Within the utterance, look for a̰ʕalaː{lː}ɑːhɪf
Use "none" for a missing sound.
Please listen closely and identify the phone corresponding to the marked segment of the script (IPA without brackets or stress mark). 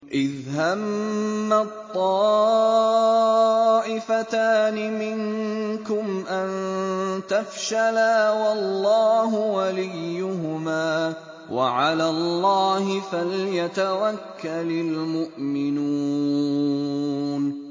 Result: lː